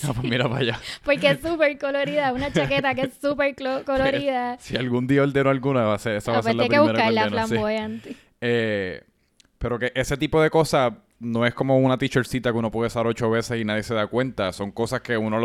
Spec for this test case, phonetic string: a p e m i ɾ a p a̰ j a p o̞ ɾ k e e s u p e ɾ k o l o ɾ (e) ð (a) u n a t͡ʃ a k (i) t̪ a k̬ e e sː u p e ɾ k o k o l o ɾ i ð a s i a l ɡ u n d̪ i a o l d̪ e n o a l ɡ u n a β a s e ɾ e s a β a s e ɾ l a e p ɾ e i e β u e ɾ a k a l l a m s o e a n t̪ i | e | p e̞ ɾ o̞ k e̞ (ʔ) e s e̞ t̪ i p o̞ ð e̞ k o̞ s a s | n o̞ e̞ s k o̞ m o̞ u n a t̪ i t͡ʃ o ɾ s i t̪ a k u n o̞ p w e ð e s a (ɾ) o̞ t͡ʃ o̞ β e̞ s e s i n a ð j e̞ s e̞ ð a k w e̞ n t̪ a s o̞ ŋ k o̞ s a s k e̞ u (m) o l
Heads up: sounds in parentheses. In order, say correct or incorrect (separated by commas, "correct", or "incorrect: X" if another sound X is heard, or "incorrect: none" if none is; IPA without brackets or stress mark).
incorrect: i, correct, incorrect: e, correct, correct, incorrect: n